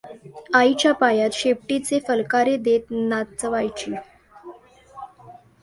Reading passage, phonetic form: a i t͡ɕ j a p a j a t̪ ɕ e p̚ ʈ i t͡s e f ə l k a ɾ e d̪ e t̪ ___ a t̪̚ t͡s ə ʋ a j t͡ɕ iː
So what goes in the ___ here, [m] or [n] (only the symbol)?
n